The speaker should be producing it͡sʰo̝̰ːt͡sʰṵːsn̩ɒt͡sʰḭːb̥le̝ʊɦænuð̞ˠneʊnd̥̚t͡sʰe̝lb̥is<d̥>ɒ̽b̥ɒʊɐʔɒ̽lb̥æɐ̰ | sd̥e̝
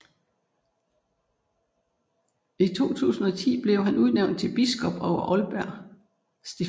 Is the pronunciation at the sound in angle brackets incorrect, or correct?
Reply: incorrect